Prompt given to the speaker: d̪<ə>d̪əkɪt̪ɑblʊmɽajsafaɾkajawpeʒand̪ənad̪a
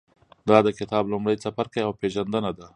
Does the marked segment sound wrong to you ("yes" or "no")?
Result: yes